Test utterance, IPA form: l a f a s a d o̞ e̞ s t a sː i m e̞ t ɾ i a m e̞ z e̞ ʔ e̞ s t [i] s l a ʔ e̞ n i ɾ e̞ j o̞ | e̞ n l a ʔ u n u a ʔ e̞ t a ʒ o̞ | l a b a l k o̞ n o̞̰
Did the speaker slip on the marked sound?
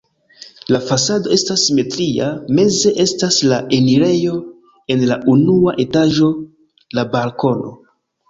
yes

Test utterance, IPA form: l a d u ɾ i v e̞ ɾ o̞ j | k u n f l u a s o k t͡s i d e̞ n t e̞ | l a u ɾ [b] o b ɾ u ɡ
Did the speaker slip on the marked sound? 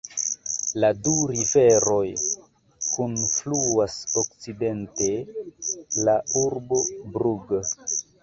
no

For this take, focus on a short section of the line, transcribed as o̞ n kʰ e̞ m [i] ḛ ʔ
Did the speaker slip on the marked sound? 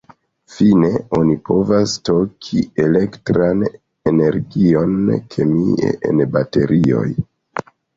no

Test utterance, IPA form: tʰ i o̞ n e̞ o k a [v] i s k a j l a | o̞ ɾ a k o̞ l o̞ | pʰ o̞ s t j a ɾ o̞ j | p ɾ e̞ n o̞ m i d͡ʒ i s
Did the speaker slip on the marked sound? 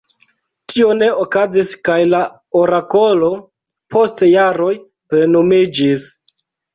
yes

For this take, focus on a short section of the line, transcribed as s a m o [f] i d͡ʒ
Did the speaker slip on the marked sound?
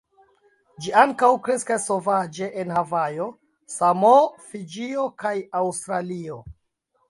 no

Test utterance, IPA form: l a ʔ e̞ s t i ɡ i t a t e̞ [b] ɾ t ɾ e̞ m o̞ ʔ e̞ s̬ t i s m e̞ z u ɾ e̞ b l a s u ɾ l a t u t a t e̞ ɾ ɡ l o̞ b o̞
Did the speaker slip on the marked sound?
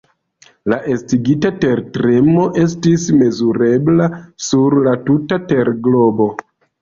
yes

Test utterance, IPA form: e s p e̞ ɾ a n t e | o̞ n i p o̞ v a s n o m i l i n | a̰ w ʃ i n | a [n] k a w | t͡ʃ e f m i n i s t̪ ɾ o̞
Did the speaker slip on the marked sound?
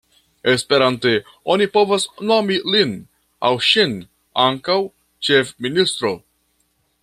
yes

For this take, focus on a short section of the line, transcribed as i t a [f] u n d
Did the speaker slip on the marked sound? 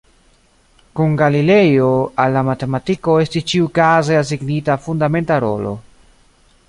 no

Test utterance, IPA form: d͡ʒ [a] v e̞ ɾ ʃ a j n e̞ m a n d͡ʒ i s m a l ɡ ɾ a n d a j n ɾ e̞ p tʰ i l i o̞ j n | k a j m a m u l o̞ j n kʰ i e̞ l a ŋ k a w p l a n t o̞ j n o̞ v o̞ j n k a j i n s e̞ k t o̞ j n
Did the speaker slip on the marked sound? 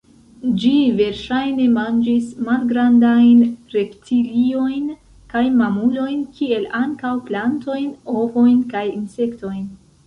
yes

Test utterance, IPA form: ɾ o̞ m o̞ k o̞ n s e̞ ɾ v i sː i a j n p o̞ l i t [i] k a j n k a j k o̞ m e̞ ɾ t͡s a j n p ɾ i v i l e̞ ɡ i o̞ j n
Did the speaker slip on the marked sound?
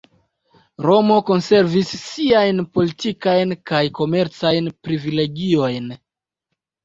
no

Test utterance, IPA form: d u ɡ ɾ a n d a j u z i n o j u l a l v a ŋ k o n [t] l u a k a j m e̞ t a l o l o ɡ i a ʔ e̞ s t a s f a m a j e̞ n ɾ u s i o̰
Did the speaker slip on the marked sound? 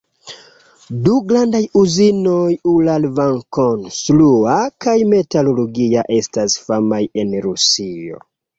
yes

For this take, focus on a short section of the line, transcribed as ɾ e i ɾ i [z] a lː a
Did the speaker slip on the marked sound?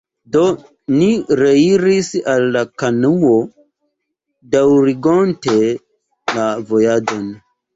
yes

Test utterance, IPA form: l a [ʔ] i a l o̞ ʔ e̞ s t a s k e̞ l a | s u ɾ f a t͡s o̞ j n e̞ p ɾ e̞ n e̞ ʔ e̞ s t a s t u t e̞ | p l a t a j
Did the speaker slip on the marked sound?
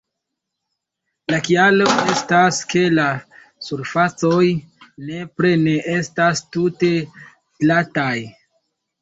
yes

